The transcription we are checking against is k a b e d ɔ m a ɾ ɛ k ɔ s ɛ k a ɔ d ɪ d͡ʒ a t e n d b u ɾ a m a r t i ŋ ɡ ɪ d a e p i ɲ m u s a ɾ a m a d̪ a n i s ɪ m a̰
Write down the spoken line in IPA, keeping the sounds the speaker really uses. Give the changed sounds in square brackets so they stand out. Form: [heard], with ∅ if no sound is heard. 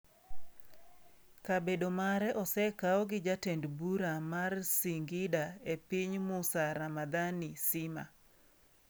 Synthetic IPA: k a b e d [o] m a ɾ ɛ [ʔ] ɔ s ɛ k a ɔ [ɡ] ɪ d͡ʒ a t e n d b u ɾ a m a r [s] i ŋ ɡ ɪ d a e p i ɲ m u s a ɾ a m a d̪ a n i s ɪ m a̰

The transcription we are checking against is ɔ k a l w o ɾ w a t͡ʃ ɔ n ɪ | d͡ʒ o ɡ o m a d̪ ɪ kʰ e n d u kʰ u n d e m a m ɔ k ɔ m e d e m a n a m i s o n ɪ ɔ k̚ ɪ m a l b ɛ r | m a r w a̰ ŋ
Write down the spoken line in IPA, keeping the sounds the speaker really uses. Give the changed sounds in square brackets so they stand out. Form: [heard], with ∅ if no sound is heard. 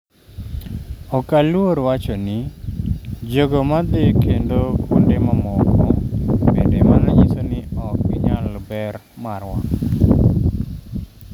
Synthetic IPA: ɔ k a l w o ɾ w a t͡ʃ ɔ n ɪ | d͡ʒ o ɡ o m a d̪ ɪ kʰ e n d [o] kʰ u n d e m a m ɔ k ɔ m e d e m a n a [ɲ] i s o n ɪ ɔ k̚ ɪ [ɲ] a l b ɛ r | m a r w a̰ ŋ

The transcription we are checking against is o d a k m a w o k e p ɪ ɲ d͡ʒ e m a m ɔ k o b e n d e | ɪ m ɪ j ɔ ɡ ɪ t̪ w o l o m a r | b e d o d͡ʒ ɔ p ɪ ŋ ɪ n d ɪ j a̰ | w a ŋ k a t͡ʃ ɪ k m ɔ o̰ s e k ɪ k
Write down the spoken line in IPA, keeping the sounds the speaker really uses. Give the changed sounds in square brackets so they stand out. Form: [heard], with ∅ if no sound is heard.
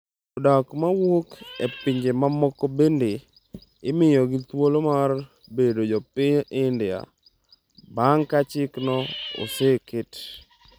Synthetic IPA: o d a k m a w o k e p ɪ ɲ d͡ʒ e m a m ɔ k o b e n d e | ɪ m ɪ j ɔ ɡ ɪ t̪ w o l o m a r | b e d o d͡ʒ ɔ p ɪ [ɲ] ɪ n d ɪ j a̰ | [b] a ŋ k a t͡ʃ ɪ k [n] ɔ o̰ s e k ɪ [t]

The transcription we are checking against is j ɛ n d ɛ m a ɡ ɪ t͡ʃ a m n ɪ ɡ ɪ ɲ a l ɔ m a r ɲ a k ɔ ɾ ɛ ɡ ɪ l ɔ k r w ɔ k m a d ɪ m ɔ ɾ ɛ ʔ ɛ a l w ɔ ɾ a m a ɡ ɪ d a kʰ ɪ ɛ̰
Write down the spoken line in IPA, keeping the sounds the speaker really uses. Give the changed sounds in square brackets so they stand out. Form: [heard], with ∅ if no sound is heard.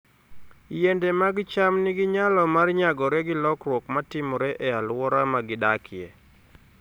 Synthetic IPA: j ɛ n d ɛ m a ɡ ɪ t͡ʃ a m n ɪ ɡ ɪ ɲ a l ɔ m a r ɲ a [ɡ] ɔ ɾ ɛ ɡ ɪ l ɔ k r w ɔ k m a [t] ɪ m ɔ ɾ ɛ ʔ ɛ a l w ɔ ɾ a m a ɡ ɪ d a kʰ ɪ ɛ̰

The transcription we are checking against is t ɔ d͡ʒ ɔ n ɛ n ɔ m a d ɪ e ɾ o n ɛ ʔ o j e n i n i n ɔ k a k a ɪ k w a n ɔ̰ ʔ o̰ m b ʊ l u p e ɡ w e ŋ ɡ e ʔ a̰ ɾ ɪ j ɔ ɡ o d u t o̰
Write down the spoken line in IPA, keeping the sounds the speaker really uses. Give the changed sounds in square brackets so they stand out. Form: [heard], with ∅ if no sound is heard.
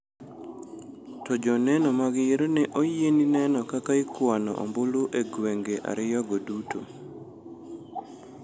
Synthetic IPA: t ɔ d͡ʒ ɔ n ɛ n ɔ m a [ɡ] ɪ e ɾ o n ɛ ʔ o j e n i n [ɛ] n ɔ k a k a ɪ k w a n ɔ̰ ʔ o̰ m b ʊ l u [ʔ] e ɡ w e ŋ ɡ e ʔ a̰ ɾ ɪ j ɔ ɡ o d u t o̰

